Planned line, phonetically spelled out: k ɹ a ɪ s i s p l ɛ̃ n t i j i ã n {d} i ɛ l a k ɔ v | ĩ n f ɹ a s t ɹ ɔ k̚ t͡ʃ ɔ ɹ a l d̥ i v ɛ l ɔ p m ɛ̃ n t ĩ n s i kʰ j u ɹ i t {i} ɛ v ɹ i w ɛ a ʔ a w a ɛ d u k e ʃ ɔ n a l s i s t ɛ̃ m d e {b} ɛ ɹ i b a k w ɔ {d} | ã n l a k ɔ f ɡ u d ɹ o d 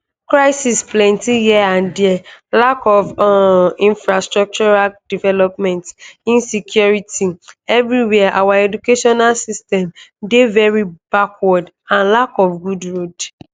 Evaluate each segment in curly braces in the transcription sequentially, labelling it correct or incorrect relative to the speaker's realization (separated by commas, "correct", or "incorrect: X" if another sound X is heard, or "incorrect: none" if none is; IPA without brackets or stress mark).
correct, correct, incorrect: v, correct